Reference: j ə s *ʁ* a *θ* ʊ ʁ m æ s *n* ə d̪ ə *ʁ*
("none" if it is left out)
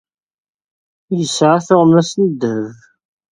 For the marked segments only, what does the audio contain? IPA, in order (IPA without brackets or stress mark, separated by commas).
ʕ, θ, n, v